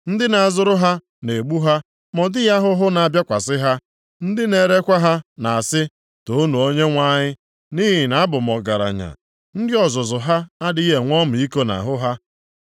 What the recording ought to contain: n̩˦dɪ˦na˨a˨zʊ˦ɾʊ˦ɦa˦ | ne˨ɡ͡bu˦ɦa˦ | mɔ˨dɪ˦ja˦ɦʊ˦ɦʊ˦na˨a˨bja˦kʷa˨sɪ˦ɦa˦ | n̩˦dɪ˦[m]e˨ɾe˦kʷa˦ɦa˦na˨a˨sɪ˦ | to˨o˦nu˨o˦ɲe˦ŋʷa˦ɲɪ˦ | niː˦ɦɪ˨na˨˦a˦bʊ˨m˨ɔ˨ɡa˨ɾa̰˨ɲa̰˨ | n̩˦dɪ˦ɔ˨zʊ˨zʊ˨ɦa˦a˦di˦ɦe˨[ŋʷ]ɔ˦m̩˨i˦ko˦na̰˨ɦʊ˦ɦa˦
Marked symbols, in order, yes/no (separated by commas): no, yes